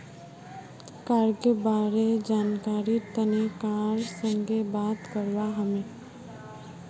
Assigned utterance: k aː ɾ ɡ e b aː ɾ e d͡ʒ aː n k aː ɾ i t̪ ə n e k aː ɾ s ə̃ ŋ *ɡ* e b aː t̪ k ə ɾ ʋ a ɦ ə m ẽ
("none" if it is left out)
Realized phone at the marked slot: ɡ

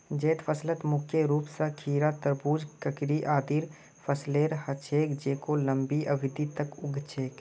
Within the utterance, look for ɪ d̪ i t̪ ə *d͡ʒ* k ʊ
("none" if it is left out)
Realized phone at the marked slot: none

